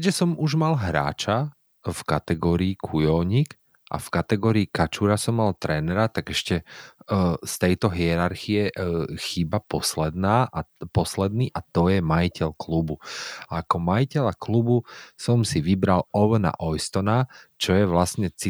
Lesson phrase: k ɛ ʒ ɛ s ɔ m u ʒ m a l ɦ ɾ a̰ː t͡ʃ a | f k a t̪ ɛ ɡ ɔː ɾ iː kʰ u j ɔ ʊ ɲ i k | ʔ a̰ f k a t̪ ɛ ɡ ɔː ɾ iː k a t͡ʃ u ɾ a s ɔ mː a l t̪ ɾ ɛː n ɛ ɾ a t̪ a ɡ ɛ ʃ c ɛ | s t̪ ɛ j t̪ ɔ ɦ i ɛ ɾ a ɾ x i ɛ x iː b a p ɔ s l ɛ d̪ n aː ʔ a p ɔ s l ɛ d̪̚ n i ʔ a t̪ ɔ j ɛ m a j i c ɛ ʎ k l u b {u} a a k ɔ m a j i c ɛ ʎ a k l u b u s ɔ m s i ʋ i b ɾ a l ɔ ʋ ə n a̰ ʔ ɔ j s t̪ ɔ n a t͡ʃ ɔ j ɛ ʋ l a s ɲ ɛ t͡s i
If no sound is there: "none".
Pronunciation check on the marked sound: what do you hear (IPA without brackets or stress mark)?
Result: u